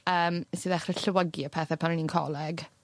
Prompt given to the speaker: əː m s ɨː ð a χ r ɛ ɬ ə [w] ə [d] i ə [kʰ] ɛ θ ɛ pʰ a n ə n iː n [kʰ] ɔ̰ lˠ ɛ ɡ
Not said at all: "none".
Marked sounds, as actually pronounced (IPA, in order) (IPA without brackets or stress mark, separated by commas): w, ɡ, pʰ, kʰ